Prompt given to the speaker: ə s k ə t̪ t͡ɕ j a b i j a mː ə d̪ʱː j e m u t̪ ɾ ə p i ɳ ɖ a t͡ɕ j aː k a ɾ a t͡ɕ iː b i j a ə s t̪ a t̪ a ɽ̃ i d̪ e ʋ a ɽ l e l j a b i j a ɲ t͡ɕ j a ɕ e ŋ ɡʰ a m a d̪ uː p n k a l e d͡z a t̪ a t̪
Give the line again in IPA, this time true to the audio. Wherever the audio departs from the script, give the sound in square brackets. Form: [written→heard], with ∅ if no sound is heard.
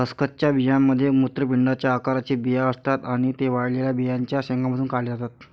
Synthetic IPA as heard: ə s k ə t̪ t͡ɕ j a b i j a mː ə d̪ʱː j e m u t̪ ɾ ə p i ɳ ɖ a t͡ɕ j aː k a ɾ a t͡ɕ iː b i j a ə s t̪ a t̪ a ɽ̃ i [d̪→t̪] e ʋ a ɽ l e l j a b i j a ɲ t͡ɕ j a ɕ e ŋ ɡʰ a m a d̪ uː [p→∅] n k a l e d͡z a t̪ a t̪